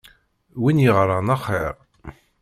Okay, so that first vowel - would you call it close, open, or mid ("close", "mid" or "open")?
close